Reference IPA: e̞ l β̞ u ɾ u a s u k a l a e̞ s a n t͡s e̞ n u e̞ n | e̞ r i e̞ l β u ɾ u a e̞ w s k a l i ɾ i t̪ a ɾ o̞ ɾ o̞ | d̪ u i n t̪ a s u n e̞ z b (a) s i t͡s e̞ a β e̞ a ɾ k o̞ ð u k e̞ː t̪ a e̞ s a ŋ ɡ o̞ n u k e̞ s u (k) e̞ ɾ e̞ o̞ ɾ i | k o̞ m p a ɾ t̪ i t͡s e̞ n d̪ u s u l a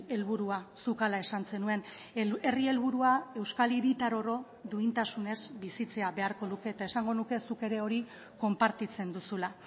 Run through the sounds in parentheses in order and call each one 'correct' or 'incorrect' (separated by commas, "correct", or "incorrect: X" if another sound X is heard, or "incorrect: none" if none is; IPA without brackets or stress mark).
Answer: incorrect: i, correct